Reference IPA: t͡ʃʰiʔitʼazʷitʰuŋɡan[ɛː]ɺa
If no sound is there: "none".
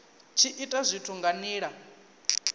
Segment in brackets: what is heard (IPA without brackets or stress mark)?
iː